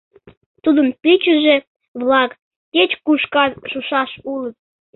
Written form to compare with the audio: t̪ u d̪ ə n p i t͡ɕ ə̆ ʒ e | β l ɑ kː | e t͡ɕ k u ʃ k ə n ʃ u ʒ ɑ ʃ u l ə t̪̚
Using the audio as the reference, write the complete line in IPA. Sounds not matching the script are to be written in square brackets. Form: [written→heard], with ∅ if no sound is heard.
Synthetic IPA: t̪ u d̪ ə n p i t͡ɕ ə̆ ʒ e | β l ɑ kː | e t͡ɕ k u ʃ k [ə→ɑ] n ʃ u [ʒ→ʃ] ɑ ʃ u l ə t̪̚